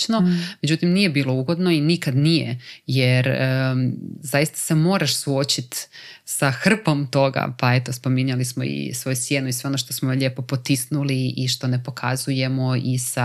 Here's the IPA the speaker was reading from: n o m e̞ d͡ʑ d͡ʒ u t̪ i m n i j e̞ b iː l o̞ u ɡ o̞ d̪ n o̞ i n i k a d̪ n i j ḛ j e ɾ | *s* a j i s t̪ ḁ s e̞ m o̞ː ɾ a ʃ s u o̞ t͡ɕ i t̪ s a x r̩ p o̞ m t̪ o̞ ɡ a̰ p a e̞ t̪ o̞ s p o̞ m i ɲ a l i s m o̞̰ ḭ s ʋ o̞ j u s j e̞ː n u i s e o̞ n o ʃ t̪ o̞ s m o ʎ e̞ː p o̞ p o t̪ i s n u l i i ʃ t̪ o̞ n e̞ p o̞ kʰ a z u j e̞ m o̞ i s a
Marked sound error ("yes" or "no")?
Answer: yes